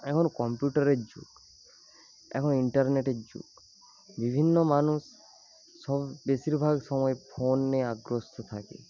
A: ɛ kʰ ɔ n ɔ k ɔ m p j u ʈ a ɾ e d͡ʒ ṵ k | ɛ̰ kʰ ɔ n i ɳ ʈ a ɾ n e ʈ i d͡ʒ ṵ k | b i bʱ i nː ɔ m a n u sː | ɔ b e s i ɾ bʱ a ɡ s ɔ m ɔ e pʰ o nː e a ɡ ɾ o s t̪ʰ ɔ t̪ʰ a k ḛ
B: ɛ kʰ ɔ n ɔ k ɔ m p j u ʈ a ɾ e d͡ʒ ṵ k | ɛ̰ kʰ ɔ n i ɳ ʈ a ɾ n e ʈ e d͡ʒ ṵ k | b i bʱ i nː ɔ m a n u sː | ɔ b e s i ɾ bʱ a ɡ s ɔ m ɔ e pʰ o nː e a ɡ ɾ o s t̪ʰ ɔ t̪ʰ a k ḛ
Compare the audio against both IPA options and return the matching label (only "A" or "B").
B